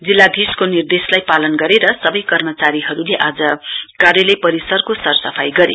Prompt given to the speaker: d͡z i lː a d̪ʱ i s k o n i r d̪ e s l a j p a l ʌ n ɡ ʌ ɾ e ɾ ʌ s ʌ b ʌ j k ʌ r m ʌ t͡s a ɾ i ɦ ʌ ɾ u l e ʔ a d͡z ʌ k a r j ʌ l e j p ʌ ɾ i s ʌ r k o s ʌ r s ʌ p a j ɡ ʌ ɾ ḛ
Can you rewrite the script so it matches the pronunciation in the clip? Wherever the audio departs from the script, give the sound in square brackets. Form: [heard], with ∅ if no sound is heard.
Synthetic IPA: d͡z i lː a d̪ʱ i s k o n i r d̪ e s l a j p a l ʌ n ɡ ʌ ɾ e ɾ ʌ s ʌ b ʌ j k ʌ r m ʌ t͡s a ɾ i ɦ ʌ ɾ u l e ʔ a d͡z ʌ k a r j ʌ l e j p ʌ ɾ i s ʌ r k o s ʌ r s ʌ [pʰ] a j ɡ ʌ ɾ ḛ